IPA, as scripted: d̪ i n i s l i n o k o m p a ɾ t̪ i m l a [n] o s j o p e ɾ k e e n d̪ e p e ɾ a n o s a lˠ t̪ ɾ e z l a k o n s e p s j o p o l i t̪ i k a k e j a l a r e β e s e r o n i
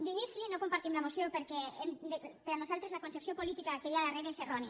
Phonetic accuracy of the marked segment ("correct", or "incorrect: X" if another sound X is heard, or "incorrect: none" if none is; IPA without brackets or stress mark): incorrect: m